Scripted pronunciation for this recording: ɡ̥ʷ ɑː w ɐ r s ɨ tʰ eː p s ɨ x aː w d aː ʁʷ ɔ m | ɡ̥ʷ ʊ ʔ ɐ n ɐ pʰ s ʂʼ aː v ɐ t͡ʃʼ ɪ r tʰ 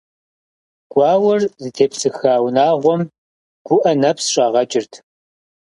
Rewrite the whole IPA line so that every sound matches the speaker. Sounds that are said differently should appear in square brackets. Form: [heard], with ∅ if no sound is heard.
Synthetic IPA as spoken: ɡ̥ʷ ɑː w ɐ r [z] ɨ tʰ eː p s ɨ x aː w [n] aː ʁʷ ɔ m | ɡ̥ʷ ʊ ʔ ɐ n ɐ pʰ s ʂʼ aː [ʁ] ɐ t͡ʃʼ ɪ r tʰ